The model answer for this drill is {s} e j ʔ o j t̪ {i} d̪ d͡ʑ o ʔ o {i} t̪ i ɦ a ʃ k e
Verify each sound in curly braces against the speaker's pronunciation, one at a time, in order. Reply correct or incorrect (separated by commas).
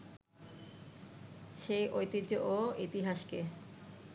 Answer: incorrect, correct, correct